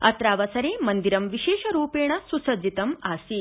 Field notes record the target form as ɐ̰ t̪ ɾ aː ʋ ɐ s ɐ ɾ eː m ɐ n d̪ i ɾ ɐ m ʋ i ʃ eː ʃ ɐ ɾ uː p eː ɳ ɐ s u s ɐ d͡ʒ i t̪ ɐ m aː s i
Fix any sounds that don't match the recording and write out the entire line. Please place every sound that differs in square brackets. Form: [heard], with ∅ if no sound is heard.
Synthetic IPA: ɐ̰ t̪ ɾ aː ʋ ɐ s ɐ ɾ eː m ɐ n d̪ i ɾ ɐ m ʋ i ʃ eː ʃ ɐ ɾ uː p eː ɳ ɐ s u s ɐ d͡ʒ i t̪ ɐ m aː s i